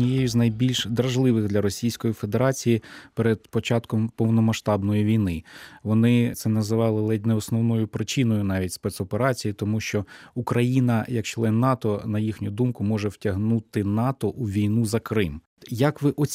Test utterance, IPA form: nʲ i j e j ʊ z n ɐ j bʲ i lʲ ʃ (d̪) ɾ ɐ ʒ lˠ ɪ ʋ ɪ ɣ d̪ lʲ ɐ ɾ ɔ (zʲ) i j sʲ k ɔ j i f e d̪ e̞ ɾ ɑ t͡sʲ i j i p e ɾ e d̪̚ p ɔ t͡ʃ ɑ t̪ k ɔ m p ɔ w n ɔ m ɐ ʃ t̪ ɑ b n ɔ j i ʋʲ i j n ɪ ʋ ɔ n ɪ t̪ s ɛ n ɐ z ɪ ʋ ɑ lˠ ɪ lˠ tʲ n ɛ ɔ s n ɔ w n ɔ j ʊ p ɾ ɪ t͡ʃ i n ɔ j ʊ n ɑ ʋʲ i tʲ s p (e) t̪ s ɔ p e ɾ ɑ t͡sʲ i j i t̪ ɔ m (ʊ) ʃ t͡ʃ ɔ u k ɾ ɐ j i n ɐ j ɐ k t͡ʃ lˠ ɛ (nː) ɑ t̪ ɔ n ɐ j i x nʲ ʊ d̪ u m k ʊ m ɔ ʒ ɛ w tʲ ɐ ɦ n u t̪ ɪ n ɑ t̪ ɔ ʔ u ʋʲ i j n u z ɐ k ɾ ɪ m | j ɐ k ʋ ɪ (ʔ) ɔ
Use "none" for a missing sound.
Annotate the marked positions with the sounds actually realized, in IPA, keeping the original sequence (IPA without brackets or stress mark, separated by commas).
d̪, sʲ, ɛ, u, nː, ʔ